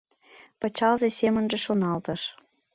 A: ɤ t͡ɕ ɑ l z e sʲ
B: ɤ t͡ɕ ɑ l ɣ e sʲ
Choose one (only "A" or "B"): A